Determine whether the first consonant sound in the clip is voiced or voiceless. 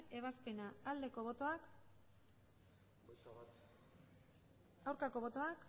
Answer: voiced